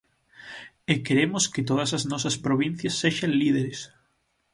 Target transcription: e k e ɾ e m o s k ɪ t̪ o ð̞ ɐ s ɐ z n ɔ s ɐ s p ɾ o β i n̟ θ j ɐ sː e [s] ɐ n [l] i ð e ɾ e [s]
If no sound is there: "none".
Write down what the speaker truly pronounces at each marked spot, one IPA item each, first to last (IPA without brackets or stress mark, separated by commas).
ʃ, l, s